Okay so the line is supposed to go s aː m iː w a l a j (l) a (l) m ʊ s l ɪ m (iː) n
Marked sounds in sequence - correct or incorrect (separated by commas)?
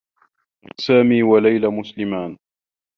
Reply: correct, incorrect, incorrect